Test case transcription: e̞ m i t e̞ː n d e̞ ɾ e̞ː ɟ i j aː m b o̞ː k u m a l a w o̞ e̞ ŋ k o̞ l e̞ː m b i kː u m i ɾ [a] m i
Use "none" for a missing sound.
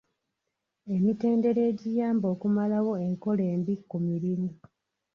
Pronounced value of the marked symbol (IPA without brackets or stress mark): i